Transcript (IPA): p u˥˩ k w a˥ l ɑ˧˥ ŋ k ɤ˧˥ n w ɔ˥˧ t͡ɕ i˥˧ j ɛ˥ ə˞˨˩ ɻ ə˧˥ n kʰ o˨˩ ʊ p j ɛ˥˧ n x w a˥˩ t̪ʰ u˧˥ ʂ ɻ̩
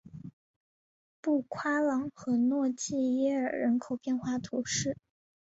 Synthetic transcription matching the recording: p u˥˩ kʰ w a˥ l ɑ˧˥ ŋ x ɤ˧˥ n w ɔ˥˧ t͡ɕ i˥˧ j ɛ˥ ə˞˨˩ ɻ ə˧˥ n kʰ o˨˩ ʊ p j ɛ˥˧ n x w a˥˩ t̪ʰ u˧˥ ʂ ɻ̩